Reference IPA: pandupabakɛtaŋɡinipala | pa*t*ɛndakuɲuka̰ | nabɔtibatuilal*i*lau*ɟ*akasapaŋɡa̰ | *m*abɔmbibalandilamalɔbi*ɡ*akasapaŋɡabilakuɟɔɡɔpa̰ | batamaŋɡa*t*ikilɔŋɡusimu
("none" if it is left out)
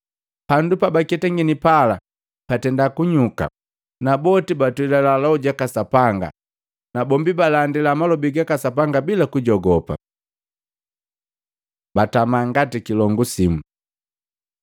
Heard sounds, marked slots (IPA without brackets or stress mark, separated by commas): t, a, ɟ, n, ɡ, t